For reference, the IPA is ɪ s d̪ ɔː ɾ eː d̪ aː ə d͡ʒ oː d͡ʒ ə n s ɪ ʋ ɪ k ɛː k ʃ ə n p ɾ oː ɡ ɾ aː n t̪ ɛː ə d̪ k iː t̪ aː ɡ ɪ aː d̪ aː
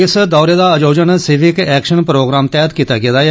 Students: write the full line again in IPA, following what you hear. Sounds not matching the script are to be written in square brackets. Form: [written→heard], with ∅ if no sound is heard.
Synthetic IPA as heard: ɪ s d̪ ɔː ɾ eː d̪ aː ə d͡ʒ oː d͡ʒ ə n s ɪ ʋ ɪ k ɛː k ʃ ə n p ɾ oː ɡ ɾ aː [n→m] t̪ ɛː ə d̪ k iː t̪ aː ɡ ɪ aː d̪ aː